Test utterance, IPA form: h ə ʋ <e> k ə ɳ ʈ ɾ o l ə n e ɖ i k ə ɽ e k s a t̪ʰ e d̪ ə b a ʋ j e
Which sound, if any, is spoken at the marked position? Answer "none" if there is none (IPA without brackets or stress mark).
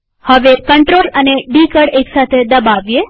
e